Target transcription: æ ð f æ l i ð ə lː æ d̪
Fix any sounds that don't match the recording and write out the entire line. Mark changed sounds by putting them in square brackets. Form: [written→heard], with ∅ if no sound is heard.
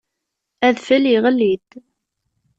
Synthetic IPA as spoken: æ ð f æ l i [ð→ʁ] ə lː [æ→i] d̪